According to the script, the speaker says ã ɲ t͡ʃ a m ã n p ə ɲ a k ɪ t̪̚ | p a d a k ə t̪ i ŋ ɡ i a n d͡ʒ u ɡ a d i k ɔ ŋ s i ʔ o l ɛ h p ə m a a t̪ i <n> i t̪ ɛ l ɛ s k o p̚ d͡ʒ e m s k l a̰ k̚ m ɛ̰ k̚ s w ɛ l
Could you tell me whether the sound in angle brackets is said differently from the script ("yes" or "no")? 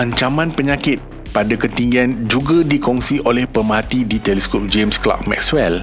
yes